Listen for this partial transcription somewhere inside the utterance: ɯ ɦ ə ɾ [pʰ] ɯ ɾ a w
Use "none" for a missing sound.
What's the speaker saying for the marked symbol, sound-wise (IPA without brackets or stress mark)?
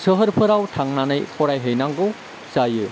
pʰ